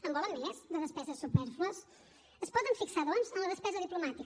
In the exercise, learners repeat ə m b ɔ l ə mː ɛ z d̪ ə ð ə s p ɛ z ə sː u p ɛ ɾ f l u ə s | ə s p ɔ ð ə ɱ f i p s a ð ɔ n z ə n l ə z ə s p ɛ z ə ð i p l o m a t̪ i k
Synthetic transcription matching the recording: ə m b ɔ l ə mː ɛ z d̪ ə ð ə s p ɛ z ə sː u p ɛ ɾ f l u ə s | ə s p ɔ ð ə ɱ f i k s a ð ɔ n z ə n l ə ð ə s p ɛ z ə ð i p l u m a t̪ i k

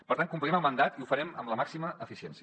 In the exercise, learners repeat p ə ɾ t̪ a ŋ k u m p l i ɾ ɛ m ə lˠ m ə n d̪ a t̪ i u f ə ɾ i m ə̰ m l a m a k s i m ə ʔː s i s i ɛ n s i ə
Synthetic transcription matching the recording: p ə ɾ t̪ a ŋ k u m p l i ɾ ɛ m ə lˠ m ə n d̪ a t̪ i u f ə ɾ ɛ m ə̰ m l ə m a k s i m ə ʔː f i s i ɛ n s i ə

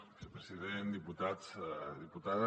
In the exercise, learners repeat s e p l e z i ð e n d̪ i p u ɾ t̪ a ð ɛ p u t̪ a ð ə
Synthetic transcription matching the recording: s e p ɾ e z i ð e n d̪ i p u t̪ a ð i p u t̪ a ð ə

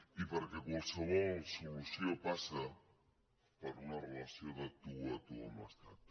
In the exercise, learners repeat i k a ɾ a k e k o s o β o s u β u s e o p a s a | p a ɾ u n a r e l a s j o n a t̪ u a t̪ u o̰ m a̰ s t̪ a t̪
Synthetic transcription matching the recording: i p a ɾ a k e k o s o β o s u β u s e o p a s a | p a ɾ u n a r e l a s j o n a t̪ u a t̪ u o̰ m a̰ s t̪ a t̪

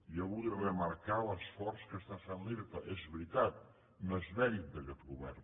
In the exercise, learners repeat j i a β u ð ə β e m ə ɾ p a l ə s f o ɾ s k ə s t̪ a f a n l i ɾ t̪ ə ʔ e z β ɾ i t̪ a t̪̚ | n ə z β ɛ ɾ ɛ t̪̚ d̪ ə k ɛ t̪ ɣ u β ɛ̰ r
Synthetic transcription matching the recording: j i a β u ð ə β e m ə ɾ k a l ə s f ɔ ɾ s k ə s t̪ a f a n l i ɾ t̪ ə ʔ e z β ɾ i t̪ a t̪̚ | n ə z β ɛ ɾ i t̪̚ d̪ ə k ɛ t̪ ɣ u β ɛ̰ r

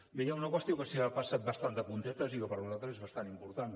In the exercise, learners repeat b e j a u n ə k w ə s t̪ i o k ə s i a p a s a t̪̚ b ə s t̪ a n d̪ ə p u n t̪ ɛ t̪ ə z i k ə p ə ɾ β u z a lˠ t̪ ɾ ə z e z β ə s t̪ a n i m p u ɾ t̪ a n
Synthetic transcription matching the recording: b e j a u n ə k w ə s t̪ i o k ə s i a p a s a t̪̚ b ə s t̪ a n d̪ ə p u n t̪ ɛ t̪ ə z i k ə p ə ɾ β u z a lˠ t̪ ɾ ə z e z β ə s t̪ a n i m p u ɾ t̪ a n

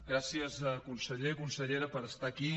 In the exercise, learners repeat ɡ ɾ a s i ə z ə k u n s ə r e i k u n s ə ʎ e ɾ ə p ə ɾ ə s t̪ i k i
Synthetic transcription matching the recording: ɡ ɾ a s i ə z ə k u n s ə ʎ e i k u n s ə ʎ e ɾ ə p ə ɾ ə s t̪ a k i

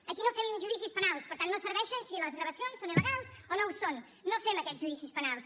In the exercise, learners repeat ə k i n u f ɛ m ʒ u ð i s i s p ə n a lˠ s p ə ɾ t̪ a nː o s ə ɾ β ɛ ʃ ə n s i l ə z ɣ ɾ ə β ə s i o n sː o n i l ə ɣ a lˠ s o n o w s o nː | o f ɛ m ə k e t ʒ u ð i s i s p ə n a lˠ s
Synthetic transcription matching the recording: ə k i n o f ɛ m ʒ u ð i s i s p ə n a lˠ s p ə ɾ t̪ a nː o s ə ɾ β ɛ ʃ ə n s i l ə z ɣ ɾ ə β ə s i o n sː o n i l ə ɣ a lˠ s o n o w s o nː | o f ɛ m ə k ɛ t ʒ u ð i s i s p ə n a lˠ s

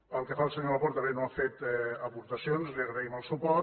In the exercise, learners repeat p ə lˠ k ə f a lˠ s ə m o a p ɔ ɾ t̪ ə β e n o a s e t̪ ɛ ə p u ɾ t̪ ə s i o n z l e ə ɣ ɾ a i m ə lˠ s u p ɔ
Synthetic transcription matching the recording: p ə lˠ k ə f a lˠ s ə ɲ o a p ɔ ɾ t̪ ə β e n o a f e t̪ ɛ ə p u ɾ t̪ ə s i o n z l i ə ɣ ɾ ə i m ə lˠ s u p ɔ

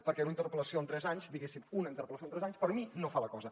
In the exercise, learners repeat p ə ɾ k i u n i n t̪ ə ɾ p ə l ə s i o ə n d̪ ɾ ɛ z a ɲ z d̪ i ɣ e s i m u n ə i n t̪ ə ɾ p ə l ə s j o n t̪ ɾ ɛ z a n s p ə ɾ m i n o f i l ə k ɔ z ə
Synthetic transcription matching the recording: p ə ɾ k ɛ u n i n t̪ ə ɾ p ə l ə s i o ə n t̪ ɾ ɛ z a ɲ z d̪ i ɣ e s i m u n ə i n t̪ ə ɾ p ə l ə s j o n t̪ ɾ ɛ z a ɲ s p ə ɾ m i n o f a l ə k ɔ z ə

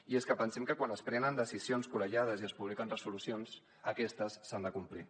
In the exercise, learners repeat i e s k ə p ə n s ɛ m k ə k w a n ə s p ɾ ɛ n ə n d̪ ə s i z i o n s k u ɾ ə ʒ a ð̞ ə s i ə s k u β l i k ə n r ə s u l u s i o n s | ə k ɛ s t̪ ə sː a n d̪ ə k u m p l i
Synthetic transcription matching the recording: i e s k ə p ə n s ɛ m k ə k w a n ə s p ɾ ɛ n ə n d̪ ə s i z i o n s k u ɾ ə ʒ a ð̞ ə z i ə s p u β l i k ə n r ə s u l u s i o n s | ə k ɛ s t̪ ə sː a n d̪ ə k u m p l i

